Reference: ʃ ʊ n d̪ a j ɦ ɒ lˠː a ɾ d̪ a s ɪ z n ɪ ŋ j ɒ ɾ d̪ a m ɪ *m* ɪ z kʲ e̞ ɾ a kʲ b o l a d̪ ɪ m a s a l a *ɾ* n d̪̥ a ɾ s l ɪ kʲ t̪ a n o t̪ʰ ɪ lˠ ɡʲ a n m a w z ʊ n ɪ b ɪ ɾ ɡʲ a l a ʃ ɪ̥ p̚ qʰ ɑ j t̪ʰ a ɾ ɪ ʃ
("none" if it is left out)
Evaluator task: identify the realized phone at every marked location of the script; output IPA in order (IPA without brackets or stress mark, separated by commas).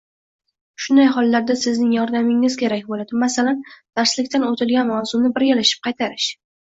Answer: ŋ, none